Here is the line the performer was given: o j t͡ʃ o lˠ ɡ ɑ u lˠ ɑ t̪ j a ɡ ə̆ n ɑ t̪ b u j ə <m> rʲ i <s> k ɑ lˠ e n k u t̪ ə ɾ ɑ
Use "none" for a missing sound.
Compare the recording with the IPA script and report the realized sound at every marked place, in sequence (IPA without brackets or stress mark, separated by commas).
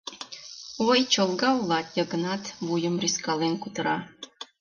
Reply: m, s